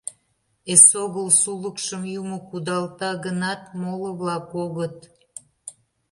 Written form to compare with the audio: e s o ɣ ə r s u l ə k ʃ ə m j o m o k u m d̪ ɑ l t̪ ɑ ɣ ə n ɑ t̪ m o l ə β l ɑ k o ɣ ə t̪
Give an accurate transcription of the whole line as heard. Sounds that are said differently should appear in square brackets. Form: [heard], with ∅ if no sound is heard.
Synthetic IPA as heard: e s o ɣ ə [l] s u l ə k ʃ ə m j [u] m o k u [∅] d̪ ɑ l t̪ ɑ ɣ ə n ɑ t̪ m o l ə β l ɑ k o ɣ ə t̪